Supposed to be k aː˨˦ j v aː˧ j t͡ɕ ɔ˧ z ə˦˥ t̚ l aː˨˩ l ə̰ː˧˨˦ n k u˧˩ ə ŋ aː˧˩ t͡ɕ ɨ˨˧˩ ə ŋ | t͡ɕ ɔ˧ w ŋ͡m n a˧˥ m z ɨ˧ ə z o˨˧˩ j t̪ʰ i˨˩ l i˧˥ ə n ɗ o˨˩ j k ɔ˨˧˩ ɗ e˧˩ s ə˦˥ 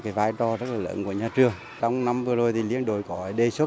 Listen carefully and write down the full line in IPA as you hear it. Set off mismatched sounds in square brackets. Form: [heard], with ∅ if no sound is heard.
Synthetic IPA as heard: k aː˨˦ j v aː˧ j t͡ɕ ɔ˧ z ə˦˥ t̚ l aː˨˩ l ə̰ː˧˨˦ n k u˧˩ ə [ɲ] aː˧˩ t͡ɕ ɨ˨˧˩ ə ŋ | t͡ɕ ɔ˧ w ŋ͡m n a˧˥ m [v] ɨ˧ ə z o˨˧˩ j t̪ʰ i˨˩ l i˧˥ ə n ɗ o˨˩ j k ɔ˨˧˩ ɗ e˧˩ s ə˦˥